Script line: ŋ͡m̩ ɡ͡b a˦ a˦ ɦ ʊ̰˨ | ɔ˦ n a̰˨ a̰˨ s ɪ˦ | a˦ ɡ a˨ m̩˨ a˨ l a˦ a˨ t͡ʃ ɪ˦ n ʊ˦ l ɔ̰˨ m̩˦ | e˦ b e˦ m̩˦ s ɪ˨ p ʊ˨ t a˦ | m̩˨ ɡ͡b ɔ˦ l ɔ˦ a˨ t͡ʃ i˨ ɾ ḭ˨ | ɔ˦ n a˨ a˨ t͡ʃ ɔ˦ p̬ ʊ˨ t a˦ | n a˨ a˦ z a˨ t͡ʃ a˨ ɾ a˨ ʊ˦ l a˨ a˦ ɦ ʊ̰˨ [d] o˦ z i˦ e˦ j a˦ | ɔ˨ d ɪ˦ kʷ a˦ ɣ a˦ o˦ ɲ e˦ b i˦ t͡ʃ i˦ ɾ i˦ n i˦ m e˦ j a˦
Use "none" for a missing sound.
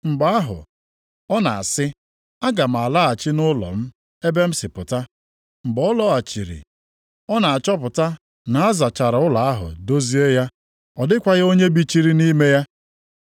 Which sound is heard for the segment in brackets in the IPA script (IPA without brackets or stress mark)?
d